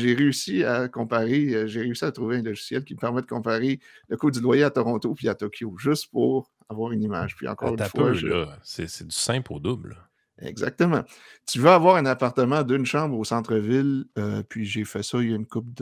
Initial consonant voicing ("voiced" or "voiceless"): voiced